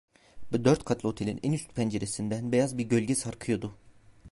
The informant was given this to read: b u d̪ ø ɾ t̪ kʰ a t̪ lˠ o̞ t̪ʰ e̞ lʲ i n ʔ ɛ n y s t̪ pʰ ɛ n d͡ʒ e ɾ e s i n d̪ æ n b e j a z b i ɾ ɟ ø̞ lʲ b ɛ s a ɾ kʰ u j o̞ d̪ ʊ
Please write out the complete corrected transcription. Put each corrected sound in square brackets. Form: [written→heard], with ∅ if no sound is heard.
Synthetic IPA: b u d̪ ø ɾ t̪ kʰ a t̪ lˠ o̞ t̪ʰ e̞ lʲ i n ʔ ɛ n y s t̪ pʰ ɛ n d͡ʒ e ɾ e s i n d̪ æ n b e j a z b i ɾ ɟ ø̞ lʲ [b→ɟ] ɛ s a ɾ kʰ [u→ɯ] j o̞ d̪ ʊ

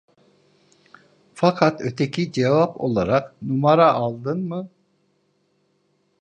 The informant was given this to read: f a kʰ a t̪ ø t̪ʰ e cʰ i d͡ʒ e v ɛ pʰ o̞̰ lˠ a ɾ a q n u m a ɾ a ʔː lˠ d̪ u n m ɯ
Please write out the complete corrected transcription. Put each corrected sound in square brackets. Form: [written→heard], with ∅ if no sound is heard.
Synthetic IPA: f a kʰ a t̪ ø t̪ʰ e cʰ i d͡ʒ e v [ɛ→a] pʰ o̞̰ lˠ a ɾ a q n u m a ɾ a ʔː lˠ d̪ [u→ɯ] n m ɯ

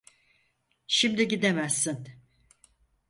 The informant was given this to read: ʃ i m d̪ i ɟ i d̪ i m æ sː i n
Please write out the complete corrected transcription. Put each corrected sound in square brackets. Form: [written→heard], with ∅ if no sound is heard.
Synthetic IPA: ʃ i m d̪ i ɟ i d̪ [i→e] m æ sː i n

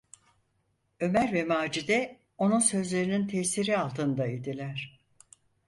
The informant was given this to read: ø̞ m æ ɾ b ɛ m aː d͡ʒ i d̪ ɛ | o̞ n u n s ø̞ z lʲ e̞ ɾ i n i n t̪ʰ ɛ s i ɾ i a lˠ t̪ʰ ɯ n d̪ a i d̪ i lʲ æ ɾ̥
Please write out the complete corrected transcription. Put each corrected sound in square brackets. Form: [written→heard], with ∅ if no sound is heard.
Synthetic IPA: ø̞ m æ ɾ [b→v] ɛ m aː d͡ʒ i d̪ ɛ | o̞ n u n s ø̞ z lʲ e̞ ɾ i n i n t̪ʰ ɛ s i ɾ i a lˠ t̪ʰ ɯ n d̪ a i d̪ i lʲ æ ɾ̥

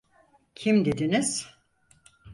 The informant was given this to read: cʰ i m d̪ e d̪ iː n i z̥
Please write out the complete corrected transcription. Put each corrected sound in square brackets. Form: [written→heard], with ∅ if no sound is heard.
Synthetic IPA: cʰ i m d̪ e d̪ [iː→i] n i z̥

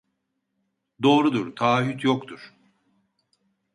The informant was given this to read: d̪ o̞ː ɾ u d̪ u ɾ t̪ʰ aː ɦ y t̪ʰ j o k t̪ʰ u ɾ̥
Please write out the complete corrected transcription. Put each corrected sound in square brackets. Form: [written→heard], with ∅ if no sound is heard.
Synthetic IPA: d̪ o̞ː ɾ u d̪ u ɾ t̪ʰ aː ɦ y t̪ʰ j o k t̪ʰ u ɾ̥

